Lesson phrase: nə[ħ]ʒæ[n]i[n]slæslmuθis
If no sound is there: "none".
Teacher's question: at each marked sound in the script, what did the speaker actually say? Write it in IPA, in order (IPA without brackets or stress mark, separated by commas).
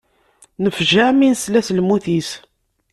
f, m, n